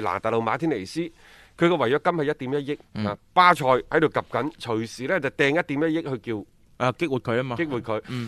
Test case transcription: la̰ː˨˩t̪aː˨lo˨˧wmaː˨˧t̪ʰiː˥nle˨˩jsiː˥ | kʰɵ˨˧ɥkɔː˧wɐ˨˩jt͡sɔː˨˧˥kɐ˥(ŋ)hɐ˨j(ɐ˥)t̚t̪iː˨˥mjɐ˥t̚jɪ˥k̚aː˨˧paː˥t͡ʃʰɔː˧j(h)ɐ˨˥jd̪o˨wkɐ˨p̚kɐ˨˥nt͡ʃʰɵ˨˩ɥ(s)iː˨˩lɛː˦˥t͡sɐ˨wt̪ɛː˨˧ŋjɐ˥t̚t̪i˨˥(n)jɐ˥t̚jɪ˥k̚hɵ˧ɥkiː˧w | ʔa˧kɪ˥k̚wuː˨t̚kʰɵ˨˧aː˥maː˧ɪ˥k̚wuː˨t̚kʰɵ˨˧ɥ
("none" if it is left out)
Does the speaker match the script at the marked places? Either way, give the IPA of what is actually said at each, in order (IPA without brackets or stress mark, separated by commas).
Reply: m, ɐ˥, h, s, m